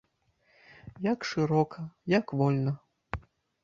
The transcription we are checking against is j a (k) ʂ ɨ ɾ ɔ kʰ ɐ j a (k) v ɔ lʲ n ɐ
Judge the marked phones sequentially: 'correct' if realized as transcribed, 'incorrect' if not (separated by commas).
correct, correct